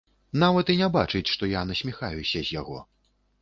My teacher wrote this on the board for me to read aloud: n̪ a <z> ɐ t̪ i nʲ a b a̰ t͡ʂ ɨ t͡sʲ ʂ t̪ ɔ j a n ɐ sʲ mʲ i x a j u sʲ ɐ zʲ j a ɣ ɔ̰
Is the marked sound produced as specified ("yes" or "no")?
no